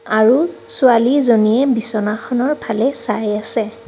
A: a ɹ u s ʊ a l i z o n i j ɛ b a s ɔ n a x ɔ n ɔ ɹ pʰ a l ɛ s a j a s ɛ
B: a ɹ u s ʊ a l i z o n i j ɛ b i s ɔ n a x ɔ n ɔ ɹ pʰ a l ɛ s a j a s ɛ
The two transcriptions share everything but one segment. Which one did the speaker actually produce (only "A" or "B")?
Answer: B